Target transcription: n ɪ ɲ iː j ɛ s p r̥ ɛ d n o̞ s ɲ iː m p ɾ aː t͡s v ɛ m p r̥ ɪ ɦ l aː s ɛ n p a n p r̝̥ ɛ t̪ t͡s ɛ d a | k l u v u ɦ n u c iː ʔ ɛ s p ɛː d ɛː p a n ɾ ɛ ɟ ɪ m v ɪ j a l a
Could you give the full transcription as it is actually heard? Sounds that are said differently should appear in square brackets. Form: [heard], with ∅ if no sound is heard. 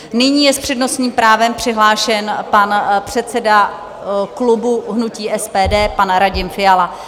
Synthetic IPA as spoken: n ɪ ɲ iː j ɛ s p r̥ ɛ d n o̞ s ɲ iː m p ɾ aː [∅] v ɛ m p r̥ ɪ ɦ l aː [ʃ] ɛ n p a n p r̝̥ ɛ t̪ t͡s ɛ d a | k l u [b] u ɦ n u c iː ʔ ɛ s p ɛː d ɛː p a n ɾ [a] ɟ ɪ m [f] ɪ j a l a